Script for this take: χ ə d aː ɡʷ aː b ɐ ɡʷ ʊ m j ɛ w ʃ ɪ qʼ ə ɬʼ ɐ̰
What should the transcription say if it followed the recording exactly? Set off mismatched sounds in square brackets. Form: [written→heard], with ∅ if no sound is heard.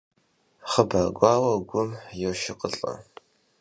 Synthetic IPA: χ ə [d→b] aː ɡʷ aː [b→w] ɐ ɡʷ ʊ m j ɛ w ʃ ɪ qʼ ə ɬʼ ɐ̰